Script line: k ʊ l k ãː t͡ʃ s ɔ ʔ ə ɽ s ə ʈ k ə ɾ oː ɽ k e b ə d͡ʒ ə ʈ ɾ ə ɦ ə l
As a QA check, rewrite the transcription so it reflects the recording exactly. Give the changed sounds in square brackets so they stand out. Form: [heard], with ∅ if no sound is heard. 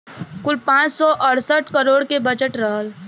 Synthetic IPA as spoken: k ʊ l [p] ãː t͡ʃ s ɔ ʔ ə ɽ s ə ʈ k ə ɾ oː ɽ k e b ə d͡ʒ ə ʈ ɾ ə ɦ ə l